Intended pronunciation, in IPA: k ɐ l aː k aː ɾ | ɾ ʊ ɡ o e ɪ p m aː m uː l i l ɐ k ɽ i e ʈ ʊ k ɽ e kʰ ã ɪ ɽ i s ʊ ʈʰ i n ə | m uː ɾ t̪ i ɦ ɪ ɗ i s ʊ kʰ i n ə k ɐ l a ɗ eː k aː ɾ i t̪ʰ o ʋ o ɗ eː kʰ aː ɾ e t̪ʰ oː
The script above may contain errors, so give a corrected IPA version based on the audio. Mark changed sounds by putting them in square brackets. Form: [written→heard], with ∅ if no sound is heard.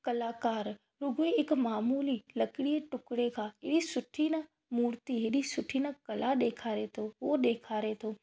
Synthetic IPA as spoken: k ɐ l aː k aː ɾ | ɾ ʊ ɡ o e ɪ [p→k] m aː m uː l i l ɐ k ɽ i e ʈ ʊ k ɽ e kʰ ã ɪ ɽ i s ʊ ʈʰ i n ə | m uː ɾ t̪ i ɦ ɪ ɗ i s ʊ [kʰ→ʈʰ] i n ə k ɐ l a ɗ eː [k→kʰ] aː ɾ [i→e] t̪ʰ o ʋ o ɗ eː kʰ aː ɾ e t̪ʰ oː